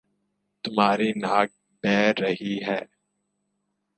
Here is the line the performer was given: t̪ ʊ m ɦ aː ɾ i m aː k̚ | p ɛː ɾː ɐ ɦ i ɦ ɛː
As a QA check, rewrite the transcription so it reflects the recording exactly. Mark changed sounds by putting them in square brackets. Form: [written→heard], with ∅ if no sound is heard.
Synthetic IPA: t̪ ʊ m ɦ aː ɾ i [m→n] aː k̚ | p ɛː ɾː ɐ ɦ i ɦ ɛː

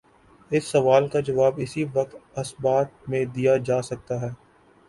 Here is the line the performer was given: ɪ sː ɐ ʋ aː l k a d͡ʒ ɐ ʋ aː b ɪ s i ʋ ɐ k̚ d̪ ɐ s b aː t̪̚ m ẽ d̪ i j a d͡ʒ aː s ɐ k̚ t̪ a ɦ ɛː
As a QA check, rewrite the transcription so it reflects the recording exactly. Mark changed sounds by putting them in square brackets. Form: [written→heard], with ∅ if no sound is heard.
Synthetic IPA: ɪ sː ɐ ʋ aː l k a d͡ʒ ɐ ʋ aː b ɪ s i ʋ ɐ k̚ [d̪→t̪] ɐ s b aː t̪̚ m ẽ d̪ i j a d͡ʒ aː s ɐ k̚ t̪ a ɦ ɛː

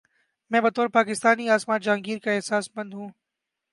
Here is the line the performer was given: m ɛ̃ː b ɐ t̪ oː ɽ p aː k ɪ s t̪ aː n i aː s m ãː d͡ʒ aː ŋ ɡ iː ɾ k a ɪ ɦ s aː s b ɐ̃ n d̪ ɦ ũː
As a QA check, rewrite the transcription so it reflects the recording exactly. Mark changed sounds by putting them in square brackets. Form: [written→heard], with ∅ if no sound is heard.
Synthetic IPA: m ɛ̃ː b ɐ t̪ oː [ɽ→ɾ] p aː k ɪ s t̪ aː n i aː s m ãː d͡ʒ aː ŋ ɡ iː ɾ k a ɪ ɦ s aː s b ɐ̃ n d̪ ɦ ũː

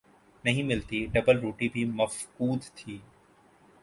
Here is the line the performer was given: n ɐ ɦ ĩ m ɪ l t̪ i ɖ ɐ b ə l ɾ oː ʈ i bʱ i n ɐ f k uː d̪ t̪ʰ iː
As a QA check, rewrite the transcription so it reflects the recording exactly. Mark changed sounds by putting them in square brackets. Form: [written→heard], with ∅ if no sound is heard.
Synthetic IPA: n ɐ ɦ ĩ m ɪ l t̪ i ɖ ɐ b ə l ɾ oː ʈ i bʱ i [n→m] ɐ f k uː d̪ t̪ʰ iː

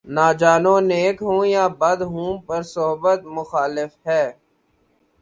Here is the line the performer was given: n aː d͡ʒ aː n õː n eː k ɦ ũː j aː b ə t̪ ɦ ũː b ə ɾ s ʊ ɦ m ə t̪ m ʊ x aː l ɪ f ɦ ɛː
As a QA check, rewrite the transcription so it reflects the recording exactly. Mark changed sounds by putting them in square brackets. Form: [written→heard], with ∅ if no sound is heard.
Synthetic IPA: n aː d͡ʒ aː n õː n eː k ɦ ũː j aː b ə [t̪→d̪] ɦ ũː [b→p] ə ɾ s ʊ ɦ [m→b] ə t̪ m ʊ x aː l ɪ f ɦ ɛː

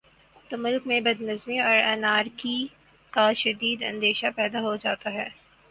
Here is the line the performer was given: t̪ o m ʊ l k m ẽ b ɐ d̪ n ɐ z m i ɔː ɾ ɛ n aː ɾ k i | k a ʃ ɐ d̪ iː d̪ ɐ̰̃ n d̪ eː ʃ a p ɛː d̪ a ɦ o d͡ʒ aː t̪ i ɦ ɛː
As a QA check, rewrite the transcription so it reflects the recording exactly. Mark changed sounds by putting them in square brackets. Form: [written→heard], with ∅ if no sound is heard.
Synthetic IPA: t̪ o m ʊ l k m ẽ b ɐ d̪ n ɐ z m i ɔː ɾ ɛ n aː ɾ k i | k a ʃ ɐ d̪ iː d̪ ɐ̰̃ n d̪ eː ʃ a p ɛː d̪ a ɦ o d͡ʒ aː t̪ [i→a] ɦ ɛː

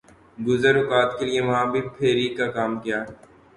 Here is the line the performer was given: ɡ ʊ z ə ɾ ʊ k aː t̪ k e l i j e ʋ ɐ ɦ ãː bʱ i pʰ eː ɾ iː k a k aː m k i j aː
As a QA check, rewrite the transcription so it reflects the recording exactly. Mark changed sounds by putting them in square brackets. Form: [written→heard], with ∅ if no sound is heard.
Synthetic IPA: ɡ ʊ z ə ɾ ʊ k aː t̪ k e l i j e ʋ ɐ ɦ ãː bʱ i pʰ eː ɾ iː k a k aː m k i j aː

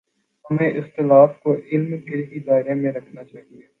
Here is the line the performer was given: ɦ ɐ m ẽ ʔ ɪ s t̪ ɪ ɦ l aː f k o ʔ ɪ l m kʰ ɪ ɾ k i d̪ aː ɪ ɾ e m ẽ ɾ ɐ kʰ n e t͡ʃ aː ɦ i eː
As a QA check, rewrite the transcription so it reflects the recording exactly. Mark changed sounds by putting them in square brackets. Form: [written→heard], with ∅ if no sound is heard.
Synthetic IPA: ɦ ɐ m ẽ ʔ ɪ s t̪ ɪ [ɦ→∅] l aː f k o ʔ ɪ l m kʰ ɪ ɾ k i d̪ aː ɪ ɾ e m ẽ ɾ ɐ kʰ n [e→a] t͡ʃ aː ɦ i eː

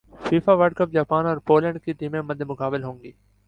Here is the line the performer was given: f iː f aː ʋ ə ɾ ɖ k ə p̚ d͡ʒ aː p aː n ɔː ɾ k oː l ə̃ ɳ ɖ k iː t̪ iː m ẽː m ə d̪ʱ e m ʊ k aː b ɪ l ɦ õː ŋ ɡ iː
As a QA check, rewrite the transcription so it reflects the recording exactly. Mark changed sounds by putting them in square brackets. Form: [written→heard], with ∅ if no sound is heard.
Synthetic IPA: f iː f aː ʋ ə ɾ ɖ k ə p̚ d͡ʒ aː p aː n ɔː ɾ [k→p] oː l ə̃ ɳ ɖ k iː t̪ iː m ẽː m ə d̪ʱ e m ʊ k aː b ɪ l ɦ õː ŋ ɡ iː

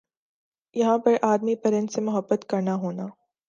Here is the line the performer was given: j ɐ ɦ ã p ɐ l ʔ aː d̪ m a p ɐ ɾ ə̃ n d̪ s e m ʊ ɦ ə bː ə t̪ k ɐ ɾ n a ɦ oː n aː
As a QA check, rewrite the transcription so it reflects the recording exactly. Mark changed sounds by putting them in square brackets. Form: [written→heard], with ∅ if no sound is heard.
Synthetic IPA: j ɐ ɦ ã p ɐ [l→ɾ] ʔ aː d̪ m [a→i] p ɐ ɾ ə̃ n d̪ s e m ʊ ɦ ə bː ə t̪ k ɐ ɾ n a ɦ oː n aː

